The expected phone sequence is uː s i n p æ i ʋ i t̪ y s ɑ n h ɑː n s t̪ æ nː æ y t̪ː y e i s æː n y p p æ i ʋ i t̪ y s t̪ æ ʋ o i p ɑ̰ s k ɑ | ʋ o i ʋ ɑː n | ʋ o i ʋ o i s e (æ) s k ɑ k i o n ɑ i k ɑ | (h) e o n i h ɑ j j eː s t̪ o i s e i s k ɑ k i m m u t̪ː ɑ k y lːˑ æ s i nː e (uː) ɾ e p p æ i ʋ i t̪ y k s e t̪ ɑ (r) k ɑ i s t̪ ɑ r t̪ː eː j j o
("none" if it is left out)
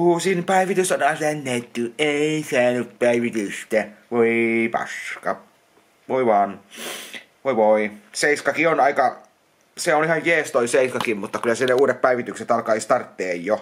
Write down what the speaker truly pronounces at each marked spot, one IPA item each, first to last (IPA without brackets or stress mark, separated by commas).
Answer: i, s, uː, l